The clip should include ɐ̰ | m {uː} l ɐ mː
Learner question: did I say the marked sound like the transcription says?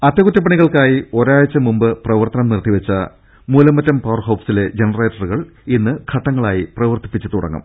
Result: yes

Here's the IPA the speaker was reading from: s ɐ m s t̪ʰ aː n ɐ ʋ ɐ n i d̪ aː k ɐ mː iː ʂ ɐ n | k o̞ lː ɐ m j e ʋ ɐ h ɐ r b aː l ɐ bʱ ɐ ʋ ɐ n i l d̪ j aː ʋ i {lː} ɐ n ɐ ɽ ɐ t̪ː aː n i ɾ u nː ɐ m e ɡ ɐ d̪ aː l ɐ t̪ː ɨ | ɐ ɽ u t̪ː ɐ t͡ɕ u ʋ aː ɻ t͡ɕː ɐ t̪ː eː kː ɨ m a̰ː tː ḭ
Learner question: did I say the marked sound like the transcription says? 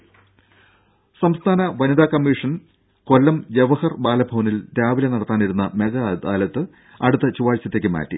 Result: no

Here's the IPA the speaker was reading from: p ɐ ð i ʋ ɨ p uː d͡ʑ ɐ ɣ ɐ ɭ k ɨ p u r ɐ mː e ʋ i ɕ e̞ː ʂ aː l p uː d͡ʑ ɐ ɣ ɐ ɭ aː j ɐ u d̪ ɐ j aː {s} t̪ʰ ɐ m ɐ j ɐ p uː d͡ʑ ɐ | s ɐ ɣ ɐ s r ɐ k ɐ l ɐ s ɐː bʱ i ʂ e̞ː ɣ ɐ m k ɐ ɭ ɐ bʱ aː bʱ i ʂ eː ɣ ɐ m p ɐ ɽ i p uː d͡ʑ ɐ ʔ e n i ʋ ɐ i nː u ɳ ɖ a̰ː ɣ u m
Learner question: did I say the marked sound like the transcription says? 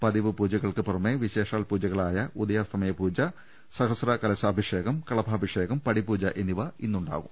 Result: yes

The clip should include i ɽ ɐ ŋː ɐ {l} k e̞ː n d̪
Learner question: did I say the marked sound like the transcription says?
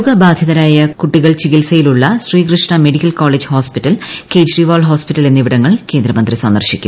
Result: no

